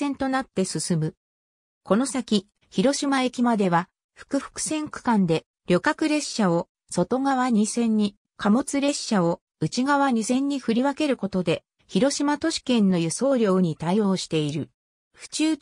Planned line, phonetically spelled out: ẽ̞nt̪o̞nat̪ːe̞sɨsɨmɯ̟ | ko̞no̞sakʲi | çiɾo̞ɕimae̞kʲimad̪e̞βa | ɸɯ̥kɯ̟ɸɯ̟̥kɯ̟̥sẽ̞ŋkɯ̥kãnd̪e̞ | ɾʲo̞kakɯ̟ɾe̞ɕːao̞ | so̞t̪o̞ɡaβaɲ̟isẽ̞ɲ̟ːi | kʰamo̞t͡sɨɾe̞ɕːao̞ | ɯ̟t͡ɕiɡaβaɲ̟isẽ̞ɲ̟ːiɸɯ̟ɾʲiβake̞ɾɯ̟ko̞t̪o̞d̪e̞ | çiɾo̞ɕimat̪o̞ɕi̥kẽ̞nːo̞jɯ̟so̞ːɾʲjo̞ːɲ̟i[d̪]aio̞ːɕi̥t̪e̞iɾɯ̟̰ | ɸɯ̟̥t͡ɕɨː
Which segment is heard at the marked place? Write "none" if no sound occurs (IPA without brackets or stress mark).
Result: t̪